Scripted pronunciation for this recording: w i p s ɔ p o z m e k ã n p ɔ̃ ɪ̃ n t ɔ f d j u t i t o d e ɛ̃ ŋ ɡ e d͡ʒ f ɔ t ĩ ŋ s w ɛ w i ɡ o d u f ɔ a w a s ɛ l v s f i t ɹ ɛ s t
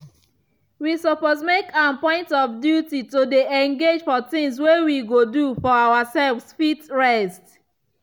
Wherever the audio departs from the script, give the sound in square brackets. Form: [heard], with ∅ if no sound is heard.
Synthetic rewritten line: w i [∅] s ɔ p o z m e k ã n p ɔ̃ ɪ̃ n t ɔ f d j u t i t o d e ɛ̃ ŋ ɡ e d͡ʒ f ɔ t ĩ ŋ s w [e] w i ɡ o d u f ɔ a w a s ɛ l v s f i t ɹ ɛ s t